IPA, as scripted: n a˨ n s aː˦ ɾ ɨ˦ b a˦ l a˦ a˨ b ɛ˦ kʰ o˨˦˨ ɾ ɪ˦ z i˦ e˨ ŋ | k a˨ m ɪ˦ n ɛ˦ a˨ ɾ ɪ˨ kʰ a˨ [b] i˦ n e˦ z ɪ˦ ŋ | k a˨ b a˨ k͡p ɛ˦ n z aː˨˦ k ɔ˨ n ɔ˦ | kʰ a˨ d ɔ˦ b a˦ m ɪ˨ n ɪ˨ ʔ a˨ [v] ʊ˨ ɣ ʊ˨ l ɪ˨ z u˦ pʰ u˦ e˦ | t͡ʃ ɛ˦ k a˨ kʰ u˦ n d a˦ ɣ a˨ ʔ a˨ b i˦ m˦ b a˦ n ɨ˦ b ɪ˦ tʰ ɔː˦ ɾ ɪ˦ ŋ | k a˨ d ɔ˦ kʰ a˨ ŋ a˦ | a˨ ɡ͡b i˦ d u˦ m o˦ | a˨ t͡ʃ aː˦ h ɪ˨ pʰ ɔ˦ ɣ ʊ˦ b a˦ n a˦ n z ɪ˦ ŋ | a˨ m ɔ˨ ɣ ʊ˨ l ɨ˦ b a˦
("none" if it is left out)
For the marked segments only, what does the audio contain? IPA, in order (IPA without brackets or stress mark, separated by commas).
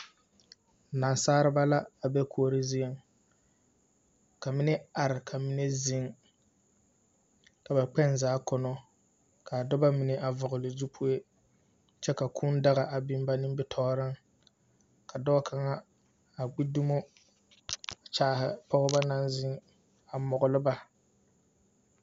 m, v